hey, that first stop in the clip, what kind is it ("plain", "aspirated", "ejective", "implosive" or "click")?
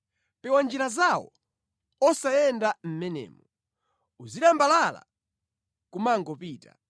plain